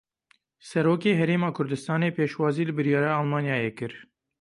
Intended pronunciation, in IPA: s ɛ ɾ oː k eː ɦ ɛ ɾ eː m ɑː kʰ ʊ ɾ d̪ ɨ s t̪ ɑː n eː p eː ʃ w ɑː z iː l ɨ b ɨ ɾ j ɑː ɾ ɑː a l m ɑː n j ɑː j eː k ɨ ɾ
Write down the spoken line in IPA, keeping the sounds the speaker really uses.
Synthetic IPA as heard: s ɛ ɾ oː k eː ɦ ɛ ɾ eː m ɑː kʰ ʊ ɾ d̪ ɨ s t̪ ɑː n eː p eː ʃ w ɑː z iː l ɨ b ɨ ɾ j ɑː ɾ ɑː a l m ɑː n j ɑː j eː k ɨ ɾ